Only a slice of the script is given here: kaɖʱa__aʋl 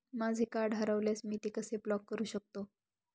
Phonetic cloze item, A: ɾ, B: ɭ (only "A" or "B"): A